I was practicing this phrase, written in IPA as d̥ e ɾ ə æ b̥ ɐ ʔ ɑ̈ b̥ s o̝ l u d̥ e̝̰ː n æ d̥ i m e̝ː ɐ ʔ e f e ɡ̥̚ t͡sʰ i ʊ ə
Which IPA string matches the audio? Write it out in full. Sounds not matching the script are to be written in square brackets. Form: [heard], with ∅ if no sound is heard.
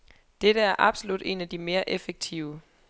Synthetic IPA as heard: d̥ e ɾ ə æ [∅] ɐ ʔ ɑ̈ b̥ s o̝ l u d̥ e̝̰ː n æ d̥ i m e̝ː ɐ ʔ e f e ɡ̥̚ t͡sʰ i ʊ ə